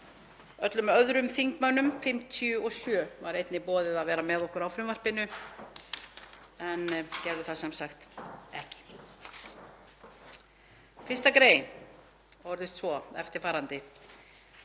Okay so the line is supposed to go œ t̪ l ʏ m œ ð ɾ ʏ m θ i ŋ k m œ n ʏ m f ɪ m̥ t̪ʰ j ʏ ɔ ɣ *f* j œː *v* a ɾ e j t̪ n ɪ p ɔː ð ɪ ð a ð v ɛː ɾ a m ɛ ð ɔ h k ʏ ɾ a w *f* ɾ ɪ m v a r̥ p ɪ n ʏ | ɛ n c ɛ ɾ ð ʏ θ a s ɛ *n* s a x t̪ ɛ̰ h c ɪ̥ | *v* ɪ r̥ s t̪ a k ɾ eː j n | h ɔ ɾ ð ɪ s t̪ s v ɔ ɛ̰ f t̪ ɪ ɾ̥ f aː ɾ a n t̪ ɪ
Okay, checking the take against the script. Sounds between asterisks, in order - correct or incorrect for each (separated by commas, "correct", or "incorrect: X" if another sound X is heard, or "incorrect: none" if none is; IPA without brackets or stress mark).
incorrect: s, correct, correct, incorrect: m, incorrect: f